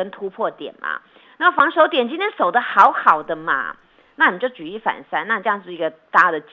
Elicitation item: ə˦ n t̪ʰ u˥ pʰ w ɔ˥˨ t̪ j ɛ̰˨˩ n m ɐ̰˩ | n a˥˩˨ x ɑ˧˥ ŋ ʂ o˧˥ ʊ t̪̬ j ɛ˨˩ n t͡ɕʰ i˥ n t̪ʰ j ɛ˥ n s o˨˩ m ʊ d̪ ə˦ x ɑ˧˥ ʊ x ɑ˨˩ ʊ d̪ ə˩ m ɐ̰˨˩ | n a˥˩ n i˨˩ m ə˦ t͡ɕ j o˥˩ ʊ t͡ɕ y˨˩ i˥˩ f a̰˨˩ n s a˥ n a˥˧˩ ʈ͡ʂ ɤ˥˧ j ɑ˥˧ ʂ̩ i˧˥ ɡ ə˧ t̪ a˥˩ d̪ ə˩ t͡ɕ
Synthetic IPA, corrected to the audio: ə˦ n t̪ʰ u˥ pʰ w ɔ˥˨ t̪ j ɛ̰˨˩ n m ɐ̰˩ | n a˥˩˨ f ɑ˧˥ ŋ ʂ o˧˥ ʊ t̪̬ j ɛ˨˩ n t͡ɕ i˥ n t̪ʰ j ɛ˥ n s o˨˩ ʊ d̪ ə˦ x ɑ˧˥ ʊ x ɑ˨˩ ʊ d̪ ə˦ m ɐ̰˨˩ | n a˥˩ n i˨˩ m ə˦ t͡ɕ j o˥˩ ʊ t͡ɕ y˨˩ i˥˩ f a̰˨˩ n s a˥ n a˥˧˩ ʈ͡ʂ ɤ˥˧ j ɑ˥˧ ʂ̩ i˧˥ ɡ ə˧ t̪ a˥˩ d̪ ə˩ t͡ɕ